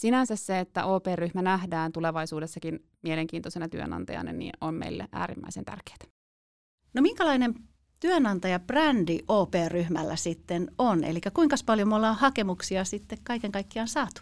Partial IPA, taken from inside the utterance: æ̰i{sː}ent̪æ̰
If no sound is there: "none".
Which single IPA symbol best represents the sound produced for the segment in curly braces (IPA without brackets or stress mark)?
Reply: s